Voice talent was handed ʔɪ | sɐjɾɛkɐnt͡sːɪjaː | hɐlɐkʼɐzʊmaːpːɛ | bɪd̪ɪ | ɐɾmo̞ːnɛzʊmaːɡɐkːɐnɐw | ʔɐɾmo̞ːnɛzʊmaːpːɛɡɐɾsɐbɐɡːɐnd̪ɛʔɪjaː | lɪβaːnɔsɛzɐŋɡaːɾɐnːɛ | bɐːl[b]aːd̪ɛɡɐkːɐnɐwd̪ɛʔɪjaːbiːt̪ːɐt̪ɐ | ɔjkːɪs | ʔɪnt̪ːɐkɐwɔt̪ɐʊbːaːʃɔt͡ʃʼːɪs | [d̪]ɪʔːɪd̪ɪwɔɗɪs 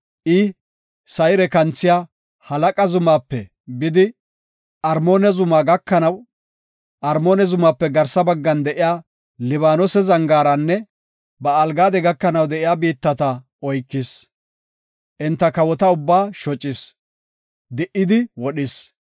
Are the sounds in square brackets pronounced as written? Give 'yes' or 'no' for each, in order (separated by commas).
no, yes